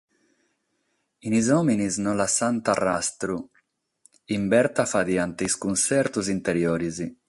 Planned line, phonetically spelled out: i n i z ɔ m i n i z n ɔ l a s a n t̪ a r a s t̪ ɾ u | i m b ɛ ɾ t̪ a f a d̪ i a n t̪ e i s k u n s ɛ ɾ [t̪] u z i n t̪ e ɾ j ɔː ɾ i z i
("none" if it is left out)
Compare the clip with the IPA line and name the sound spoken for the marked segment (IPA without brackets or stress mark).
t̪